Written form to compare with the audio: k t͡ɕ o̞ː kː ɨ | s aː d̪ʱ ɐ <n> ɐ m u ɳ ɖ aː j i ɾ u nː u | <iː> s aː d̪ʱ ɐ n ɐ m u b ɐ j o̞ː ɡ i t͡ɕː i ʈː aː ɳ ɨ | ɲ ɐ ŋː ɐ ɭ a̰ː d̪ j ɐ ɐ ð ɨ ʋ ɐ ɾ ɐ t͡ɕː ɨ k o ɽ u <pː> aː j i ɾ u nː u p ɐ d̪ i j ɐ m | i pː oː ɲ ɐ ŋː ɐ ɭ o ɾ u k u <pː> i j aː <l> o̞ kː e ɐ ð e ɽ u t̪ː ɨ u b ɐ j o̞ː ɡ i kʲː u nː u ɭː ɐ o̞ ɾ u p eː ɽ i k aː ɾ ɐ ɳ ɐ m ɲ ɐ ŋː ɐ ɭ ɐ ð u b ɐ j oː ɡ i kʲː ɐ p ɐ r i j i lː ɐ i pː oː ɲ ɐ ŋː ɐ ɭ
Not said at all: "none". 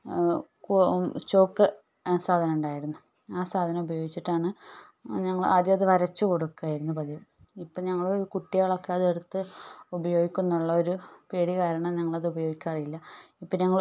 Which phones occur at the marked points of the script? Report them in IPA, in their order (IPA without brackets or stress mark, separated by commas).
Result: n, aː, kː, ʈː, ɭ